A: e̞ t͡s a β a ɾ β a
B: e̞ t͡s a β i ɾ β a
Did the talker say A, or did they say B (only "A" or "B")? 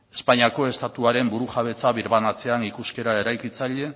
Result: B